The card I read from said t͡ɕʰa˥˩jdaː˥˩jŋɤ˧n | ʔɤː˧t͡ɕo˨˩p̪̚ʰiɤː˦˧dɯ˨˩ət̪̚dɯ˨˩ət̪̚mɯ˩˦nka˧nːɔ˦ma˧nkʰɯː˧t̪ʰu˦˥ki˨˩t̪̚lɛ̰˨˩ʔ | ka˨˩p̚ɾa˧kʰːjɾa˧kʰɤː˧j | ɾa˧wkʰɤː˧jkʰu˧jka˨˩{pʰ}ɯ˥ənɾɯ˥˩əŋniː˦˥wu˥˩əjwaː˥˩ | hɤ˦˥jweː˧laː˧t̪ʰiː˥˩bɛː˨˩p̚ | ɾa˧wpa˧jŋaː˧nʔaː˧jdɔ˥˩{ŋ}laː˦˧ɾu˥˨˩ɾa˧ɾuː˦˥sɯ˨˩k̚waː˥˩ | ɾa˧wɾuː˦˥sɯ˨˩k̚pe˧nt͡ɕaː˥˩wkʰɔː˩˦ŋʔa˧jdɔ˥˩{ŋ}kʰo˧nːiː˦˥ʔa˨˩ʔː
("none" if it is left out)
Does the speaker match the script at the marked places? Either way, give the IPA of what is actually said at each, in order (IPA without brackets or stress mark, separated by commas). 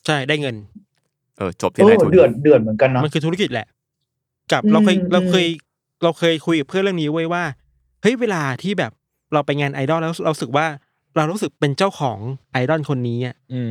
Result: pʰ, n, n